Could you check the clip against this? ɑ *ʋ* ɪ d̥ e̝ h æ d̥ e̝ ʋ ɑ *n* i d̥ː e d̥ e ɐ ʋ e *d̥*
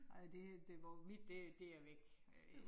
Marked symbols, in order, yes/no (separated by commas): no, no, no